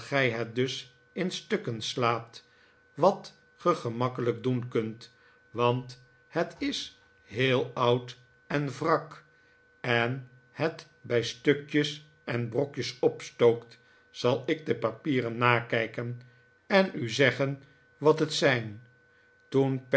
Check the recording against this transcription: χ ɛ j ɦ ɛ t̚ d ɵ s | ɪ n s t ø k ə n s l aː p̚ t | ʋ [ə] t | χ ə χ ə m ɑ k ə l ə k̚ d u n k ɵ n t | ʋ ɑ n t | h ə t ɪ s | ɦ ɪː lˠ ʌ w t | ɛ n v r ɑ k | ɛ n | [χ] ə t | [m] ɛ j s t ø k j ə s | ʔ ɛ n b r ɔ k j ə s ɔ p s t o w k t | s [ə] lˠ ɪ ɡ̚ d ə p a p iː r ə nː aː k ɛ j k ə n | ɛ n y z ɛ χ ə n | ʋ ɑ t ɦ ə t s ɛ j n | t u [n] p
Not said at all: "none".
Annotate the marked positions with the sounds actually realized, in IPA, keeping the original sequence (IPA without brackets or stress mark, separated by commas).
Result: ɑ, h, b, ɑ, n